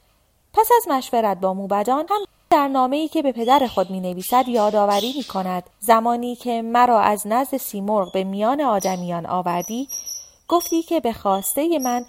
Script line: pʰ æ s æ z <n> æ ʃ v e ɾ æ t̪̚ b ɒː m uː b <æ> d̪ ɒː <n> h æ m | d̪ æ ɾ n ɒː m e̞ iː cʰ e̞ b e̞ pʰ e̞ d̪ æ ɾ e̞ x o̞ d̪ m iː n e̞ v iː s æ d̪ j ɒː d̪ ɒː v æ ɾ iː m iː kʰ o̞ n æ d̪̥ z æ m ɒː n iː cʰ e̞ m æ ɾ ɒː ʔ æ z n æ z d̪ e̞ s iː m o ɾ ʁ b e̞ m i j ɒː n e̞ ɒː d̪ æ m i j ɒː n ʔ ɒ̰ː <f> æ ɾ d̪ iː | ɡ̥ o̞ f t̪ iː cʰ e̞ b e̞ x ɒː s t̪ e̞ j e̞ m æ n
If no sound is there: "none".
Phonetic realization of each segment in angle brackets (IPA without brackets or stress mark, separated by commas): m, æ, n, v